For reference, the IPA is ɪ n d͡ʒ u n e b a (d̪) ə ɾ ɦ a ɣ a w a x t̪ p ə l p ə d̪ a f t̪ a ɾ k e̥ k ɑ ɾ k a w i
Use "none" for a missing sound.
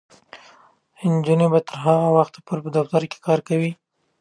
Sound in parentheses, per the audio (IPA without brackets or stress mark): t̪